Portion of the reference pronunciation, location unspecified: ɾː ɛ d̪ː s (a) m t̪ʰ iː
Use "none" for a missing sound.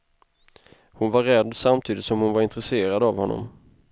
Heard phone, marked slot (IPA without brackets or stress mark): a